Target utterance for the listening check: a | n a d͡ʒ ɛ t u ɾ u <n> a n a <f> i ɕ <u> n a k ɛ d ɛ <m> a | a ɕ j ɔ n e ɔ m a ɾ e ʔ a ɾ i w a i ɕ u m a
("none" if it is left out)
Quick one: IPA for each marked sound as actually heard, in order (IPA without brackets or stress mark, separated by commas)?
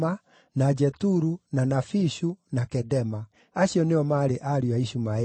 n, f, u, m